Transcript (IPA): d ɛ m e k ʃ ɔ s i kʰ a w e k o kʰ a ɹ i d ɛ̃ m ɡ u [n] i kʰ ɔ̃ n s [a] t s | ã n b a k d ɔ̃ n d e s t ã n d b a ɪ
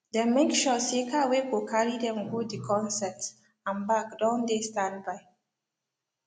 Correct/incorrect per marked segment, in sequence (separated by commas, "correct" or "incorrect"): incorrect, incorrect